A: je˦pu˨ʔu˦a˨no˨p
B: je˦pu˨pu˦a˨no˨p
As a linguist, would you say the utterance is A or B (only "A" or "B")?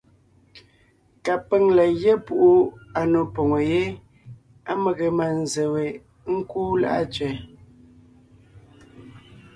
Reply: A